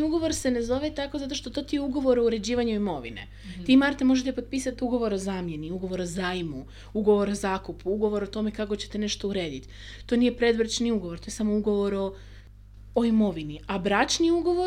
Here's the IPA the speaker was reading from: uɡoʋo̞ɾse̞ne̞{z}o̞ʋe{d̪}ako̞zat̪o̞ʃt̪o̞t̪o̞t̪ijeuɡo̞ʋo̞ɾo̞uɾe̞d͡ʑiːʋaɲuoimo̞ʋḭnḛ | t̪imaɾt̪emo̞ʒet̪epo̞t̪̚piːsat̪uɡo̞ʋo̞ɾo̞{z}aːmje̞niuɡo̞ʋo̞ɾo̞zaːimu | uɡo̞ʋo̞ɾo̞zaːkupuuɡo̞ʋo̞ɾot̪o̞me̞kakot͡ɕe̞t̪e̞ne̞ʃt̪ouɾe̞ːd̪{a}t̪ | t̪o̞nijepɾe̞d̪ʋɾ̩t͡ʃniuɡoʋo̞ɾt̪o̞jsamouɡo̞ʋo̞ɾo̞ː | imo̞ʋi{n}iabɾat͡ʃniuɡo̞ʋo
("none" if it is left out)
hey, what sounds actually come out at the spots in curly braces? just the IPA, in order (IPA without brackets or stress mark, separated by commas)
z, t̪, z, i, n